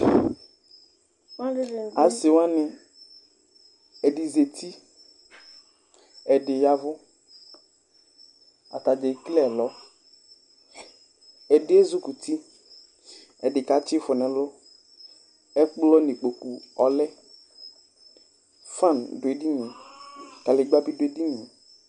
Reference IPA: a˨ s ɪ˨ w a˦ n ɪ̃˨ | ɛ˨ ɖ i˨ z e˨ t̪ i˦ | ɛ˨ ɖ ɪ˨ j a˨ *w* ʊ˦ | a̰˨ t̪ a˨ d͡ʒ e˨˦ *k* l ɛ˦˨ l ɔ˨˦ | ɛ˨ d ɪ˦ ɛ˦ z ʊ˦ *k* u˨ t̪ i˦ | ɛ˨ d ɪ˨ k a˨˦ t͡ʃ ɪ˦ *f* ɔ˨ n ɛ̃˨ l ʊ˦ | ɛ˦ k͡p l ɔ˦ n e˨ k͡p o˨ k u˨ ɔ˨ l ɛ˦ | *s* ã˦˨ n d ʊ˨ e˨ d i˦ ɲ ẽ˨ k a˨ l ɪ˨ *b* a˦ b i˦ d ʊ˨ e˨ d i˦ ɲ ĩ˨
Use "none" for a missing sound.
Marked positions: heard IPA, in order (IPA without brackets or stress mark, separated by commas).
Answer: v, k, k, f, f, ɡ͡b